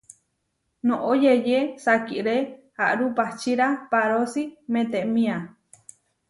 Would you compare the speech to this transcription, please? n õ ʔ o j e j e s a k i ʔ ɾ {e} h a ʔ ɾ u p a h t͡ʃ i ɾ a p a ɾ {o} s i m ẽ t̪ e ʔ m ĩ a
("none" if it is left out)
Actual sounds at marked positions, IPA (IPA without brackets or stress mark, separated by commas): e, o